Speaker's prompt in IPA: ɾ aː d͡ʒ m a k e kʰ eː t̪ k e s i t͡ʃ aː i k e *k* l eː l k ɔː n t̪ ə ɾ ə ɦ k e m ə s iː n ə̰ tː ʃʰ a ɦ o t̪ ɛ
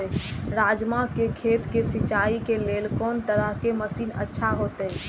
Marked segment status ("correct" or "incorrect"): incorrect